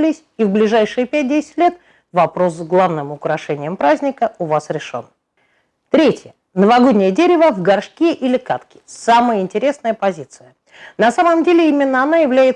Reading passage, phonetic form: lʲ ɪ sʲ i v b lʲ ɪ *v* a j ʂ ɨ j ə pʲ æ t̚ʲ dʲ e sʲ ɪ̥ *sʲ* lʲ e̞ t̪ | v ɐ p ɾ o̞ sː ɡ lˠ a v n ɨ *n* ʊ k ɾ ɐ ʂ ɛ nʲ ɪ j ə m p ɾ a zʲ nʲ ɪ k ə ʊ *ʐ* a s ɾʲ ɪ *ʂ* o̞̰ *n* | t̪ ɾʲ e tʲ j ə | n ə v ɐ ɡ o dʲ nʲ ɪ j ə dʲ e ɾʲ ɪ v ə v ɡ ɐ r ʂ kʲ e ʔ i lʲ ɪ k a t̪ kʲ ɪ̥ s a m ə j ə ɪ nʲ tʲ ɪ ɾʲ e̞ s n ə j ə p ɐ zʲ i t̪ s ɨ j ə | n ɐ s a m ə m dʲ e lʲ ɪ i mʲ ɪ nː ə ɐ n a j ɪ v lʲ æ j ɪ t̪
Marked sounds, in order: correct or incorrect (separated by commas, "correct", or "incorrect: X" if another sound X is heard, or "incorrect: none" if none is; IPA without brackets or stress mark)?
incorrect: ʐ, incorrect: tʲ, incorrect: m, incorrect: v, correct, correct